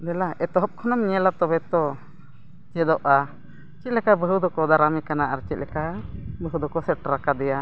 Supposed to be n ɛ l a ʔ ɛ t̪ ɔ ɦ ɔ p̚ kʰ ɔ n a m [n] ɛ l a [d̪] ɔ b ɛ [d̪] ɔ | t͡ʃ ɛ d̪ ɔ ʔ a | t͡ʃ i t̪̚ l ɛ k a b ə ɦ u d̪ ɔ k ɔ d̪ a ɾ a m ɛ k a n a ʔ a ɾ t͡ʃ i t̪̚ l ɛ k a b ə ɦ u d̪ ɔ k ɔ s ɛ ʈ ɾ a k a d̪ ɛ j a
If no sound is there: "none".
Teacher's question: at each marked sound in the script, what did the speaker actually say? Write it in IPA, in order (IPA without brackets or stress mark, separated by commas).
ɲ, t̪, t̪